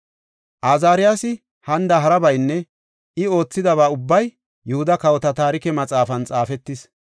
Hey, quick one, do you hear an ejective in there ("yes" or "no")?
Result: yes